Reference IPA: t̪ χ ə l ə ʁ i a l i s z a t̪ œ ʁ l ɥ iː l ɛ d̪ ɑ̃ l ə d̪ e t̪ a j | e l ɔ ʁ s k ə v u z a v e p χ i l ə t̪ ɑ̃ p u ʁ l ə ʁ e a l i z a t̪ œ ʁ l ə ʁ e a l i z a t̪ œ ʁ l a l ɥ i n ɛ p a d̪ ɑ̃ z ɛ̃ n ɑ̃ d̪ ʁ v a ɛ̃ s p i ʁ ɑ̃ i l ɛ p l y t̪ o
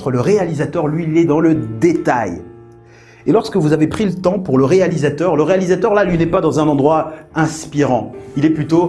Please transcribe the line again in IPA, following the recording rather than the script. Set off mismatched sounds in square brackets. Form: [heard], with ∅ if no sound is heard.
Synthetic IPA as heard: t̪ χ ə l ə ʁ [e] a l i [∅] z a t̪ œ ʁ l ɥ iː l ɛ d̪ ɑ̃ l ə d̪ e t̪ a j | e l ɔ ʁ s k ə v u z a v e p χ i l ə t̪ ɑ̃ p u ʁ l ə ʁ e a l i z a t̪ œ ʁ l ə ʁ e a l i z a t̪ œ ʁ l a l ɥ i n ɛ p a d̪ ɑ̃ z ɛ̃ n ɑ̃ d̪ ʁ [w] a ɛ̃ s p i ʁ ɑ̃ i l ɛ p l y t̪ o